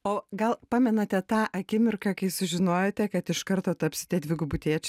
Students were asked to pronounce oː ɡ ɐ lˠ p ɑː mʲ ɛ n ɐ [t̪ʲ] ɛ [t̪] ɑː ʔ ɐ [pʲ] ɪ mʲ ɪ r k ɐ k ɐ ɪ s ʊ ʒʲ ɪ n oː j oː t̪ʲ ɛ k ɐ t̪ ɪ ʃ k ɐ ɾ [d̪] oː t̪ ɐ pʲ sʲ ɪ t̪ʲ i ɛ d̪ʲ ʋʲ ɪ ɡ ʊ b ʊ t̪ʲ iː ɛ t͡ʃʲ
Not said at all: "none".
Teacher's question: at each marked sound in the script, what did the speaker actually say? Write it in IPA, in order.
t̪ʲ, t̪, kʲ, t̪

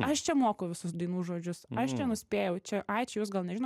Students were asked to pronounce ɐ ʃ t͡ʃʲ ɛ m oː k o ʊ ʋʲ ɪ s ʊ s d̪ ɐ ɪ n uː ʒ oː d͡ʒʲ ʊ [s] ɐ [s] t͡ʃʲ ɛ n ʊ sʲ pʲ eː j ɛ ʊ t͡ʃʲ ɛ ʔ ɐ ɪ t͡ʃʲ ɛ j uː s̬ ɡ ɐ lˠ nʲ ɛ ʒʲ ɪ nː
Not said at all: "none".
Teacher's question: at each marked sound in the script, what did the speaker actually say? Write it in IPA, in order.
s, ʃ

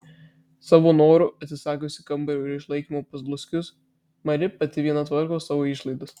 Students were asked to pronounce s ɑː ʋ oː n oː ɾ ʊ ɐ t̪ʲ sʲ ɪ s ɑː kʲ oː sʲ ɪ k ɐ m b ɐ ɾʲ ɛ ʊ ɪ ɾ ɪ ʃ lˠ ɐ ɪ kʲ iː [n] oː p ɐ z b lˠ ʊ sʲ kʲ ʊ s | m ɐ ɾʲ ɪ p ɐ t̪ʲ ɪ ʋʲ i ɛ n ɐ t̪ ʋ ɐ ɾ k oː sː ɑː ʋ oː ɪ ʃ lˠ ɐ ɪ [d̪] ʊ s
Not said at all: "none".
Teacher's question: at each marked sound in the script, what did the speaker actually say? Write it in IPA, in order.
m, d̪

